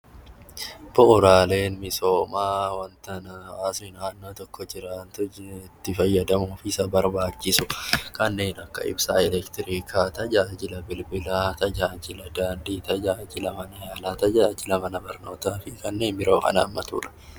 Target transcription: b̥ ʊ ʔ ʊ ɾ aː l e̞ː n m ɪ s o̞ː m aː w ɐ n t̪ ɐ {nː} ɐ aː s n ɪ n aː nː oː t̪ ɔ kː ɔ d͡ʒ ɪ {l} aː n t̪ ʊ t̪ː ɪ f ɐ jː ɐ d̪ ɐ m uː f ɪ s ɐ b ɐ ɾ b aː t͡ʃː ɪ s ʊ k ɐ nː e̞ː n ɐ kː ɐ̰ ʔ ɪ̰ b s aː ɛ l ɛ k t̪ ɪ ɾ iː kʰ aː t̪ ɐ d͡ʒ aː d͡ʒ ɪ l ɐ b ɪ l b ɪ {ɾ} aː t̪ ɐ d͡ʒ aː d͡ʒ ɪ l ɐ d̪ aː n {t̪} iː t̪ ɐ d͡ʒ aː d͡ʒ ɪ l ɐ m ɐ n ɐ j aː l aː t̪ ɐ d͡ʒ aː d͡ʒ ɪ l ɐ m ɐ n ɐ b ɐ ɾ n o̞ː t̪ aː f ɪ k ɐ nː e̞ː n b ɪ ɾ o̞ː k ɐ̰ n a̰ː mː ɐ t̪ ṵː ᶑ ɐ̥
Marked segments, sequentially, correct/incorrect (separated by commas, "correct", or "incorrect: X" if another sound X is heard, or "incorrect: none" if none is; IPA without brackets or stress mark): incorrect: n, incorrect: ɾ, incorrect: l, incorrect: d̪